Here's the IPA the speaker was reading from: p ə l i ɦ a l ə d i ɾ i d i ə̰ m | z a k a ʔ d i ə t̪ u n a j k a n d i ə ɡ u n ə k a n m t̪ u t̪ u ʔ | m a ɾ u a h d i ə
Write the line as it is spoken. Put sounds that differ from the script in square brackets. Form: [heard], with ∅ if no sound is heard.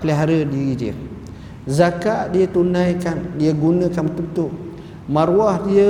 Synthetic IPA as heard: p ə l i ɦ a [ɾ] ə d i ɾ i d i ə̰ [∅] | z a k a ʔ d i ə t̪ u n a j k a n d i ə ɡ u n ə k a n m t̪ u t̪ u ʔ | m a ɾ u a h d i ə